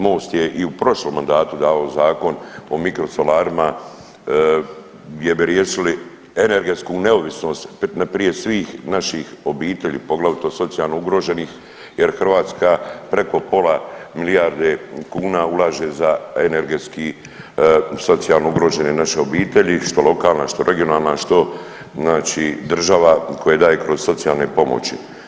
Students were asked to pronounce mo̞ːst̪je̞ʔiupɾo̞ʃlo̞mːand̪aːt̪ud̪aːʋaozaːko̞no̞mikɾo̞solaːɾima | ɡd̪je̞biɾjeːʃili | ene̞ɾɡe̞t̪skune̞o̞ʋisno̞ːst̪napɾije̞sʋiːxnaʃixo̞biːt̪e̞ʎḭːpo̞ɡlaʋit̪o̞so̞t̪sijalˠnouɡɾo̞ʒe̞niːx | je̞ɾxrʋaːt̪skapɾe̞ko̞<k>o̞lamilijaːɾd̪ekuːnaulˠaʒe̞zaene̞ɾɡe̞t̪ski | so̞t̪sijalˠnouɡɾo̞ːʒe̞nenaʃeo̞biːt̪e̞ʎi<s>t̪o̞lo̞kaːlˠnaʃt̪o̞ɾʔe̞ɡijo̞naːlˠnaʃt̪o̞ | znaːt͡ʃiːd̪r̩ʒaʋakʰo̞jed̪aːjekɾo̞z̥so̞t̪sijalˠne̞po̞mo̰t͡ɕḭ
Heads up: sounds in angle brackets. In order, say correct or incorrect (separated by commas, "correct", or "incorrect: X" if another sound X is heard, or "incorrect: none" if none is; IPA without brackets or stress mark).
incorrect: p, incorrect: ʃ